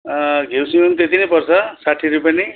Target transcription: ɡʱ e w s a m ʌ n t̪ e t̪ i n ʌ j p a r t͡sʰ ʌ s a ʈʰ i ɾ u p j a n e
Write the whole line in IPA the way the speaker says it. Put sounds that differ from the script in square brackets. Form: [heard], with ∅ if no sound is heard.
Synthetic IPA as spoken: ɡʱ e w s [i] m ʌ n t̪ e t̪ i n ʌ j p [ʌ] r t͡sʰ ʌ s a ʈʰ i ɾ u p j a n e